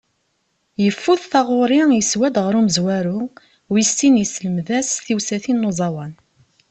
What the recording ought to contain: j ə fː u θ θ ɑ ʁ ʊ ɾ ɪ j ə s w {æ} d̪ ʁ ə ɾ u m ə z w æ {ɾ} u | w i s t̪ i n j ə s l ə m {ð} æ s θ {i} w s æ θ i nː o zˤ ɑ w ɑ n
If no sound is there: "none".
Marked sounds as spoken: æ, ɾ, ð, i

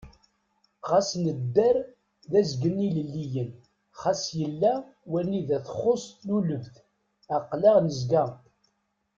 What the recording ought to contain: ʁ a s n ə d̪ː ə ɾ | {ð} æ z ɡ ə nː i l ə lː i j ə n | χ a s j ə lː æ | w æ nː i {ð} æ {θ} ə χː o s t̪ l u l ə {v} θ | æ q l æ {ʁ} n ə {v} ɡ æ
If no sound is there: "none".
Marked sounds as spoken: ð, ð, θ, v, ʁ, z

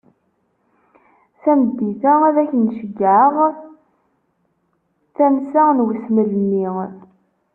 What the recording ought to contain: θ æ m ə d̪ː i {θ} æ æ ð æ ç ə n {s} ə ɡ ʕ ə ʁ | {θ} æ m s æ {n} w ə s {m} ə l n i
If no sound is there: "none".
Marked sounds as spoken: θ, ʃ, θ, n, m

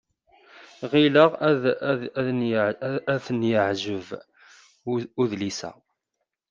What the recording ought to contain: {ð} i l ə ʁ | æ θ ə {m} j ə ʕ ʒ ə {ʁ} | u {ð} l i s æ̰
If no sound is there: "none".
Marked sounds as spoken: ʁ, n, v, ð

